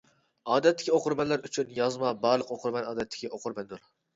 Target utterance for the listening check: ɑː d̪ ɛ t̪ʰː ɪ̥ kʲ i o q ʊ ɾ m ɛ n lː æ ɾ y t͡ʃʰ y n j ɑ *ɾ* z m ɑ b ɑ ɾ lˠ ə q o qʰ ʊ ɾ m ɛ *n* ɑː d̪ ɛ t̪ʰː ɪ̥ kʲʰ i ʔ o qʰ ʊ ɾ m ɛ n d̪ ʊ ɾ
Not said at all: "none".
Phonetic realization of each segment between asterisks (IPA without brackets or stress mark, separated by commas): none, n